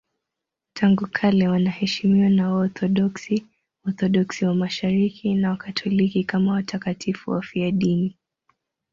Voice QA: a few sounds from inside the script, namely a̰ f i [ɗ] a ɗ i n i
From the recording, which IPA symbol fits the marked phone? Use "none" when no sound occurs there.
none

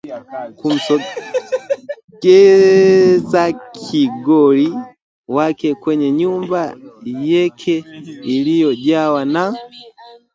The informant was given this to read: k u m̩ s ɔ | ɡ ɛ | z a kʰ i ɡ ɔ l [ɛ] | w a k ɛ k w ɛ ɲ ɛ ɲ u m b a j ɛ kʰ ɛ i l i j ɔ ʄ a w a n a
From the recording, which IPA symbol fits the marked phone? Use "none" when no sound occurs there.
i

